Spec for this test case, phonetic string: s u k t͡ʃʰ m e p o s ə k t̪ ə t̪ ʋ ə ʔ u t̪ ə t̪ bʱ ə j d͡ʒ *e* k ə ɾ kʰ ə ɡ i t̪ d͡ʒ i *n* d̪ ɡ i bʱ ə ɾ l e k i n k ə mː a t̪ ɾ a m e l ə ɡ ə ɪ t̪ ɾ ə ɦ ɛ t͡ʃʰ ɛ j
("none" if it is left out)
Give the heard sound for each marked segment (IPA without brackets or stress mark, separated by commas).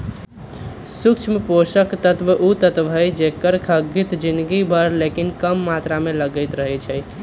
e, n